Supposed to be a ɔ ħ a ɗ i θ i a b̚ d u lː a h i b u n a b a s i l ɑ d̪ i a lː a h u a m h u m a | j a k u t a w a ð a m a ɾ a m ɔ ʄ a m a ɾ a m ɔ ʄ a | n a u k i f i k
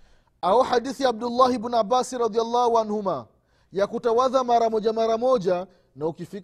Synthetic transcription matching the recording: a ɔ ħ a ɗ i θ i a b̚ d u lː a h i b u n a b a s i ɾ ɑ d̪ i a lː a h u a n h u m a | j a k u t a w a ð a m a ɾ a m ɔ ʄ a m a ɾ a m ɔ ʄ a | n a u k i f i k